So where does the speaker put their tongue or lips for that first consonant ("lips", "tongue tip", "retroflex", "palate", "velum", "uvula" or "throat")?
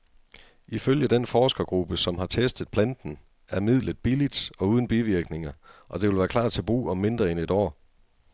lips